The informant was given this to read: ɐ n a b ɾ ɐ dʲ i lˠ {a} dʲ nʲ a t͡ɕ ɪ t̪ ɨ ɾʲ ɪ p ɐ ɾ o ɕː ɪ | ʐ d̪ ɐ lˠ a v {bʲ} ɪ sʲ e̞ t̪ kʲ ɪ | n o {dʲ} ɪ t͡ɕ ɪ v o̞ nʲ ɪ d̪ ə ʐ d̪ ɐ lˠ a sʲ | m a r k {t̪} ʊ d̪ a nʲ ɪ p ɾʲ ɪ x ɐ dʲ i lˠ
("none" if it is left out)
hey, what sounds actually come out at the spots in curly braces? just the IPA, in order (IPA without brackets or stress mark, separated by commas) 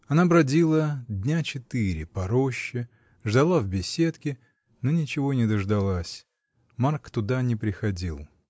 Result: ə, bʲ, nʲ, t̪